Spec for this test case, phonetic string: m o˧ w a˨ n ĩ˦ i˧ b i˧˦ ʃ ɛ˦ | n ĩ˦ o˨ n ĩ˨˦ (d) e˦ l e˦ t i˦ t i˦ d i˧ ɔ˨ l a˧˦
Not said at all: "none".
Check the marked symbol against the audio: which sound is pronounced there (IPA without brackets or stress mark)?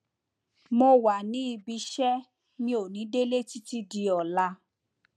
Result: d